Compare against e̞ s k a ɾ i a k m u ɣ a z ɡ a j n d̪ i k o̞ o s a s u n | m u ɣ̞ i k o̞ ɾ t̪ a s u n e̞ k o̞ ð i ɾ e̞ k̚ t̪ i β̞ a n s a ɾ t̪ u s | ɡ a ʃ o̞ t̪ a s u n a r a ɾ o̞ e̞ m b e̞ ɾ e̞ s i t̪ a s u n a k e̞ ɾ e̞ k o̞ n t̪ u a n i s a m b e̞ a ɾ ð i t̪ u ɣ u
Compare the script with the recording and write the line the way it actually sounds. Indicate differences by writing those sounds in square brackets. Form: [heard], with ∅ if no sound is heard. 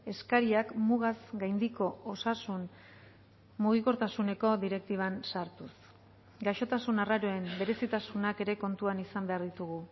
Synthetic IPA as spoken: e̞ s k a ɾ i a k m u ɣ a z ɡ a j n d̪ i k o̞ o s a s u n | m u ɣ̞ i k o̞ ɾ t̪ a s u n e̞ k o̞ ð i ɾ e̞ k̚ t̪ i β̞ a n s a ɾ t̪ u s | ɡ a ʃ o̞ t̪ a s u n a r a ɾ o̞ e̞ m b e̞ ɾ e̞ s i t̪ a s u n a k e̞ ɾ e̞ k o̞ n t̪ u a n i s a m b e̞ a ɾ ð i t̪ u ɣ u